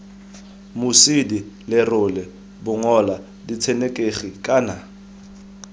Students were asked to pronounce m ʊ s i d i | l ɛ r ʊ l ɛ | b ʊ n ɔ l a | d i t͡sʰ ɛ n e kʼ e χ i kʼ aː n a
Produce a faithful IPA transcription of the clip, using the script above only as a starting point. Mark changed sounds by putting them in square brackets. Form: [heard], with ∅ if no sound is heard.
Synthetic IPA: m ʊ s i d i | l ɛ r ʊ l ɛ | b ʊ [ŋ] ɔ l a | d i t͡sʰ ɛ n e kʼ e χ i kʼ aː n a